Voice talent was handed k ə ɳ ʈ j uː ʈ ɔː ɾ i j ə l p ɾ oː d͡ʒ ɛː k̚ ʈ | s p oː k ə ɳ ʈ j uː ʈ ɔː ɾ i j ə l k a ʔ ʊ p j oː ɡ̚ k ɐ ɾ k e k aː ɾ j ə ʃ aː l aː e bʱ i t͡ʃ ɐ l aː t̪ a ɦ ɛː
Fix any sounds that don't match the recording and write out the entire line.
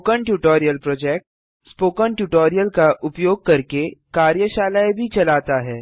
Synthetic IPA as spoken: k ə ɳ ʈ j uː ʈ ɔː ɾ i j ə l p ɾ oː d͡ʒ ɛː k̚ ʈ | s p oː k ə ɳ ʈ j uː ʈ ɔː ɾ i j ə l k a ʔ ʊ p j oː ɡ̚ k ɐ ɾ k e k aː ɾ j ə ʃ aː l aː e bʱ i t͡ʃ ɐ l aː t̪ a ɦ ɛː

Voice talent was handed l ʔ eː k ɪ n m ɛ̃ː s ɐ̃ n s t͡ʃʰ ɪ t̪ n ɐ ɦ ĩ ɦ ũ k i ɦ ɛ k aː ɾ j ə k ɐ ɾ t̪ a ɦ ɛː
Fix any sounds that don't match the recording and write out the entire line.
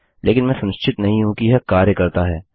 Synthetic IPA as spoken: l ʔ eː k ɪ n m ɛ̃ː s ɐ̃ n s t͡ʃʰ ɪ t̪ n ɐ ɦ ĩ ɦ ũ k i ɦ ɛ k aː ɾ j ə k ɐ ɾ t̪ a ɦ ɛː

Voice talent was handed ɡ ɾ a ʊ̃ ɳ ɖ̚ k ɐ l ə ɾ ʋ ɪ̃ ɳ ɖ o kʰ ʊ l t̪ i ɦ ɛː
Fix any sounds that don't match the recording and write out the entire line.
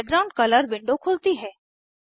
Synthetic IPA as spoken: ɡ ɾ a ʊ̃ ɳ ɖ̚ k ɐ l ə ɾ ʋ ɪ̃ ɳ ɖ o kʰ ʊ l t̪ i ɦ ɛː

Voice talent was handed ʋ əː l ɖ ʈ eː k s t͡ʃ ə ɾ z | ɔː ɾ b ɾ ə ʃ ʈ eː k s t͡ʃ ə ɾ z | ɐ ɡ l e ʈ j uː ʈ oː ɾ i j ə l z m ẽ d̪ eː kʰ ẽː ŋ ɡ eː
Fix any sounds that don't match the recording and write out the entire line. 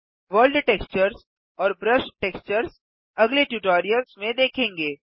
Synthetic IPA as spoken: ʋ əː l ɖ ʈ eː k s t͡ʃ ə ɾ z | ɔː ɾ b ɾ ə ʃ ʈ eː k s t͡ʃ ə ɾ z | ɐ ɡ l e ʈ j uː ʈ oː ɾ i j ə l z m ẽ d̪ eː kʰ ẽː ŋ ɡ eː

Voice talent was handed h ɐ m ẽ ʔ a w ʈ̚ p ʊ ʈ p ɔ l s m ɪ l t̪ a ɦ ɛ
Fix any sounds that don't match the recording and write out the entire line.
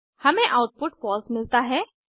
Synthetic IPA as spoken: h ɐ m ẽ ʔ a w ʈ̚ p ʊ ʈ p ɔ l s m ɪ l t̪ a ɦ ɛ

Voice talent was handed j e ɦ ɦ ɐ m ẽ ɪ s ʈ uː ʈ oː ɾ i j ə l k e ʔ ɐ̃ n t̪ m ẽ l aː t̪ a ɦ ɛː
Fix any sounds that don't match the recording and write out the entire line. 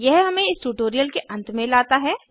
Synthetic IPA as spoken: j ɛ ɦ ɦ ɐ m ẽ ɪ s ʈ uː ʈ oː ɾ i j ə l k e ʔ ɐ̃ n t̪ m ẽ l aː t̪ a ɦ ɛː

